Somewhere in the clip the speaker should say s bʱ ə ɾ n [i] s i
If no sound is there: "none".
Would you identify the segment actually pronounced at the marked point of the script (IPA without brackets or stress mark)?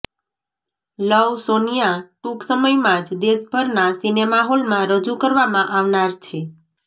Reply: a